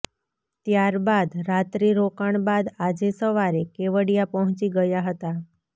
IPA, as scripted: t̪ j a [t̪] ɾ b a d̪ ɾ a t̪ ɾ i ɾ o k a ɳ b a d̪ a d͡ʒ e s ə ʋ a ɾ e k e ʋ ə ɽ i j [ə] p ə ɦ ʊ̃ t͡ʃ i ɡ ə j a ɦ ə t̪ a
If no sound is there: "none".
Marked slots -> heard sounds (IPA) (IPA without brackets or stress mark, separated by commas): none, a